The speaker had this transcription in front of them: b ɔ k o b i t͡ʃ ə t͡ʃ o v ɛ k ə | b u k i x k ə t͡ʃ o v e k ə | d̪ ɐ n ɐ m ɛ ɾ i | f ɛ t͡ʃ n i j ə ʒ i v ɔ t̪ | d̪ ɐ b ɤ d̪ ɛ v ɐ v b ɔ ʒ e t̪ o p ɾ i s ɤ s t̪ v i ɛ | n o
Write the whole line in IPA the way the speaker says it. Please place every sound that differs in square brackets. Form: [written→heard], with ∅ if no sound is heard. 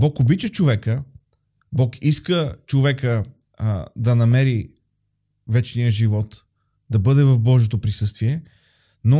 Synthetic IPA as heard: b ɔ k o b i t͡ʃ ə t͡ʃ o v ɛ k ə | b [u→ɔ] k i [x→s] k ə t͡ʃ o v [e→ɛ] k ə | d̪ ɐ n ɐ m ɛ ɾ i | [f→v] ɛ t͡ʃ n i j ə ʒ i v ɔ t̪ | d̪ ɐ b ɤ d̪ ɛ v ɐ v b ɔ ʒ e t̪ o p ɾ i s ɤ s t̪ v i ɛ | n o